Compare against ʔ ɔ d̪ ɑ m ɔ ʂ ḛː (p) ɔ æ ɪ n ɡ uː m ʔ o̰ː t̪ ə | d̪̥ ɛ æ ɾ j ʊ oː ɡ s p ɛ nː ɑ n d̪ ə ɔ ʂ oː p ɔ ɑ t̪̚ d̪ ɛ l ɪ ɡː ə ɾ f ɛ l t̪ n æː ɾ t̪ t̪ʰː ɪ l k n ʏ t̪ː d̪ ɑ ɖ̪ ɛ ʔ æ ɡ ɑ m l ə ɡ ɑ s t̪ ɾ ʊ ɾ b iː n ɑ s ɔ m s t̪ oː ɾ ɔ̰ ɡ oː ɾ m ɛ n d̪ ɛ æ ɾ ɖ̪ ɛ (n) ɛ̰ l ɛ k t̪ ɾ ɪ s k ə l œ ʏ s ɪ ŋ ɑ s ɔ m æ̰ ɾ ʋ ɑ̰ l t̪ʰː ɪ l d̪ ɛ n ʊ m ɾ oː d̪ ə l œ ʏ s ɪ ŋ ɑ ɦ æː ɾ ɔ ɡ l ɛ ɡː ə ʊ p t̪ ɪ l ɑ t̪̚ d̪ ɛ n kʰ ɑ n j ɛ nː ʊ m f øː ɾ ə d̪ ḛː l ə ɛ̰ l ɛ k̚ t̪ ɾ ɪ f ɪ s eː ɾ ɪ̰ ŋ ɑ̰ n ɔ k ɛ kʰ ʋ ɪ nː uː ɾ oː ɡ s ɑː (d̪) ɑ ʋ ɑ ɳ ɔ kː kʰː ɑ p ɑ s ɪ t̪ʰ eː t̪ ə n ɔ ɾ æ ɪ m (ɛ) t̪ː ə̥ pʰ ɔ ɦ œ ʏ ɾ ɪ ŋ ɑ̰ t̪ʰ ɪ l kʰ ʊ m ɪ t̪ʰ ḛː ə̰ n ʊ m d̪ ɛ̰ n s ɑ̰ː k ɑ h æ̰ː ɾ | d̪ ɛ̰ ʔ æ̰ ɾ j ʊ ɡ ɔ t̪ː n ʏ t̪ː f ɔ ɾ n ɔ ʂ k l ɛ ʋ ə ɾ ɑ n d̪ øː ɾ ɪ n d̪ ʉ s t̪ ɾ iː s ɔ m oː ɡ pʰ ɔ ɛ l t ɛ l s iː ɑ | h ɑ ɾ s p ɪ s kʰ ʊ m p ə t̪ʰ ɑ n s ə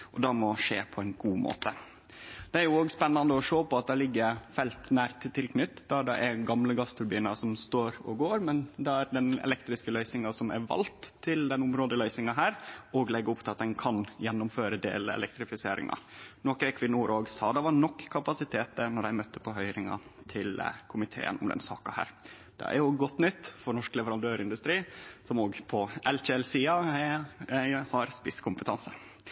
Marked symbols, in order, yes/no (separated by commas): no, yes, yes, no